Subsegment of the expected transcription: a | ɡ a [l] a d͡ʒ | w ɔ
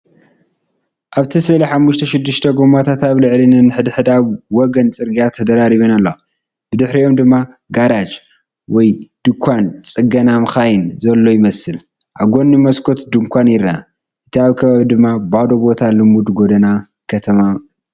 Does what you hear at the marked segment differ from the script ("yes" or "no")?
yes